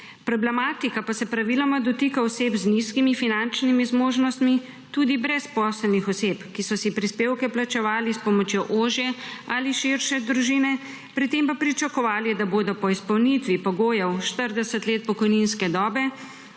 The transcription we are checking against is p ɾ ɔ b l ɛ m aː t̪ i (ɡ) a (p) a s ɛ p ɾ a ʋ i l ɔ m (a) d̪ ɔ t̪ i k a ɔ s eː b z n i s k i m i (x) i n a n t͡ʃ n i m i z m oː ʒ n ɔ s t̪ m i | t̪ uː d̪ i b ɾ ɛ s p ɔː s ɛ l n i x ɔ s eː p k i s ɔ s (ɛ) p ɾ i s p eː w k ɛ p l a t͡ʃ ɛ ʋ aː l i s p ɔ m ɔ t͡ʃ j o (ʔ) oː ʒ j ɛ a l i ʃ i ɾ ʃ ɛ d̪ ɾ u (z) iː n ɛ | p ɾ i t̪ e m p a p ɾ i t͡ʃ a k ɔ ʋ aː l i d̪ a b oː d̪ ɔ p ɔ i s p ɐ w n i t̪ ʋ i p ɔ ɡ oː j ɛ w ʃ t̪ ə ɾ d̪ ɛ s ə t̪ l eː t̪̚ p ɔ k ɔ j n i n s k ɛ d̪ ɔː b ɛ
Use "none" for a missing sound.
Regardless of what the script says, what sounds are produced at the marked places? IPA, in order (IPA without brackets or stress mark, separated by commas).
k, p, a, f, i, ʔ, ʒ